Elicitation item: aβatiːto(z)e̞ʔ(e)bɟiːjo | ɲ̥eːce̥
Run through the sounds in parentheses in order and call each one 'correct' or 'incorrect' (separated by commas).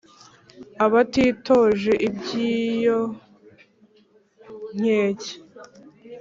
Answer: incorrect, incorrect